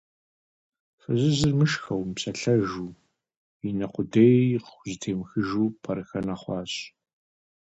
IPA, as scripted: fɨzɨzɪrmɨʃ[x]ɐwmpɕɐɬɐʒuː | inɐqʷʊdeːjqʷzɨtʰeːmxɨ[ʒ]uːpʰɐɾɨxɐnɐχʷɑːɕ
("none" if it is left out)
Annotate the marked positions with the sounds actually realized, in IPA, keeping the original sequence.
x, ʒ

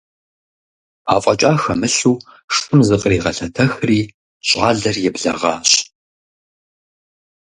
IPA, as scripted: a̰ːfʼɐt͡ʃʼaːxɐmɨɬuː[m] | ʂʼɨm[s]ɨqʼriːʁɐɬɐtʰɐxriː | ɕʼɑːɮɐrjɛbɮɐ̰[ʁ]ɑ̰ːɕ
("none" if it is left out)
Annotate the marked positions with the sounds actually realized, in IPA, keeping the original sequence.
none, z, ʁ

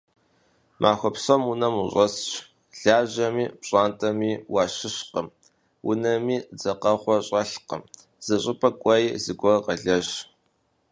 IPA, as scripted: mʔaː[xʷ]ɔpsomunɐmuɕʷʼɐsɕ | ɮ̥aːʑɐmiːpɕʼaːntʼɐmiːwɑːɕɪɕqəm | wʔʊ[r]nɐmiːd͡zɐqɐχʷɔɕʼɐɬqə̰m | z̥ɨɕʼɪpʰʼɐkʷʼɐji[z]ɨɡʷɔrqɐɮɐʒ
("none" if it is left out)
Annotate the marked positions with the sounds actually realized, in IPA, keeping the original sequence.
xʷ, none, z

